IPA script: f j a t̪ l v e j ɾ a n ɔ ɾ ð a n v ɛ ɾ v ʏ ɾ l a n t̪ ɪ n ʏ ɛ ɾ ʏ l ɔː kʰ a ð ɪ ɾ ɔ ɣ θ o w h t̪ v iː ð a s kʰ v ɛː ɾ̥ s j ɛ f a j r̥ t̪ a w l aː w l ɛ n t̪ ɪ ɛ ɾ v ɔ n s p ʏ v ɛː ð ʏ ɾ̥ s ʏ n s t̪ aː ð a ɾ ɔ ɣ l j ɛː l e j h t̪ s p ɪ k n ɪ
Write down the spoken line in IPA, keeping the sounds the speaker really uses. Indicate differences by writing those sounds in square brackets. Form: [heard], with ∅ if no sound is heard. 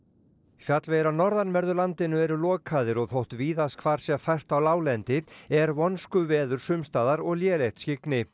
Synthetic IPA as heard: f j a t̪ l v e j ɾ a n ɔ ɾ ð a n v ɛ ɾ [ð] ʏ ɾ l a n t̪ ɪ n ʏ ɛ ɾ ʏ l ɔː kʰ a ð ɪ ɾ ɔ ɣ θ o w h t̪ v iː ð a s kʰ v [aː] ɾ̥ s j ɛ f a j r̥ t̪ a w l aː w l ɛ n t̪ ɪ ɛ ɾ v ɔ n s [k] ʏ v ɛː ð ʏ ɾ̥ s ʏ [m] s t̪ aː ð a ɾ ɔ ɣ l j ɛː l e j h t̪ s [c] ɪ k n ɪ